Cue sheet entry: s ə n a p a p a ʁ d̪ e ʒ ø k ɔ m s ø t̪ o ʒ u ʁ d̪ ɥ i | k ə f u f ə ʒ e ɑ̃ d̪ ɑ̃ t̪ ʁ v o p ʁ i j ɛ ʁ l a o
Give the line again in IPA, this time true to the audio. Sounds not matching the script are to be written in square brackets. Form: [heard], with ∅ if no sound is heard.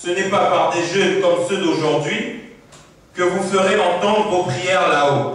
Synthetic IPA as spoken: s ə n [ɛ] p a p a ʁ d̪ e ʒ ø k ɔ m s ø [d̪] o ʒ u ʁ d̪ ɥ i | k ə [v] u f ə [ʁ] e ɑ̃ [t̪] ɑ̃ [d̪] ʁ v o p [χ] i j ɛ ʁ l a o